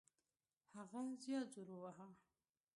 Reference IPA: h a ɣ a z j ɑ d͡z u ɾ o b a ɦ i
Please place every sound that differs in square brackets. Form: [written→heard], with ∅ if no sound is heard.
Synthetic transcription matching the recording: h a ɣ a z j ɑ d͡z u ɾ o [b→w] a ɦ [i→a]